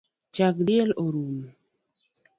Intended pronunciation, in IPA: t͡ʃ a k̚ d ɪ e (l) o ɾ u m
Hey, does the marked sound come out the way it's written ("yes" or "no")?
yes